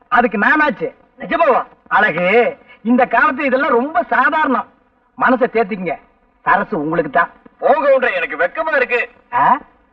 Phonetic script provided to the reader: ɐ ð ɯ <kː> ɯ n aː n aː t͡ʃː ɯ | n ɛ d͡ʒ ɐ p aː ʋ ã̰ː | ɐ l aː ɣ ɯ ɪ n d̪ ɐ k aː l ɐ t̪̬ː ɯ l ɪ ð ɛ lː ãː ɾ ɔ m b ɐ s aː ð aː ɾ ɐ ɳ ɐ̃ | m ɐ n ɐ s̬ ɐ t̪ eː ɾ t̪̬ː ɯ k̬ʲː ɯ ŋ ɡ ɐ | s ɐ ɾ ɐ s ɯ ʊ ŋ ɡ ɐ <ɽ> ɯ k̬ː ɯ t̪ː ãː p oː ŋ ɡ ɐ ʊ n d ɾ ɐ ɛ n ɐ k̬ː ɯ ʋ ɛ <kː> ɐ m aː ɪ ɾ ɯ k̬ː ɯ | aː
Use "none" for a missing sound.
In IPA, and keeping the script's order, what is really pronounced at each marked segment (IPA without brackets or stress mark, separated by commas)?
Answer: kː, ɭ, kː